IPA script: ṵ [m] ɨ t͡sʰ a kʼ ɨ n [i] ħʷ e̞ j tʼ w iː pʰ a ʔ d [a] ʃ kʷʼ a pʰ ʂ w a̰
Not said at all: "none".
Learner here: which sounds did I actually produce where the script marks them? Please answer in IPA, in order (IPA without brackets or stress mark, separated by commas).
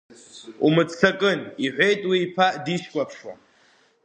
m, i, i